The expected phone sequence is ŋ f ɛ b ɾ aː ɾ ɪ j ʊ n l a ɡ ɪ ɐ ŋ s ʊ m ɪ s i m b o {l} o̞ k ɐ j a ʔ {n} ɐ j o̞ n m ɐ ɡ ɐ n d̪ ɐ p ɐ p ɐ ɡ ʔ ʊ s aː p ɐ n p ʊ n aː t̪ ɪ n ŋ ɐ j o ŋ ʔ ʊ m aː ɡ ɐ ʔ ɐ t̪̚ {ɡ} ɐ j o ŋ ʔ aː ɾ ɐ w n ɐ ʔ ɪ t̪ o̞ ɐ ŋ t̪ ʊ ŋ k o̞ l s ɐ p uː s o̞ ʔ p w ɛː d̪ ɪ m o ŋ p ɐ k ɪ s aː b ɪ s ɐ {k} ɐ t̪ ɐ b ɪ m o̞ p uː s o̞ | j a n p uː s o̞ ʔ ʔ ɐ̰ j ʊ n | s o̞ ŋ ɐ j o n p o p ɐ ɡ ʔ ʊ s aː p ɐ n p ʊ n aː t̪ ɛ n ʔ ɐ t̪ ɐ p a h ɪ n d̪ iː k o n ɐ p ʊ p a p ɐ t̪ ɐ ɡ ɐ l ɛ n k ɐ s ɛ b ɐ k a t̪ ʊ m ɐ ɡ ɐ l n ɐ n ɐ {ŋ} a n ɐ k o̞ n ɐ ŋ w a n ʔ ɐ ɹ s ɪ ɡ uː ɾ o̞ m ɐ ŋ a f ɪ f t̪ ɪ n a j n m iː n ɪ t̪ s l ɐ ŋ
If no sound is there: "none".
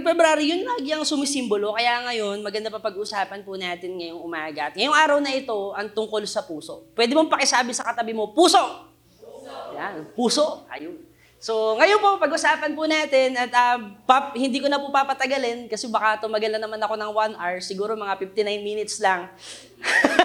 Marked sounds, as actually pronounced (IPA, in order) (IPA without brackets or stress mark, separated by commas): l, ŋ, ŋ, k, m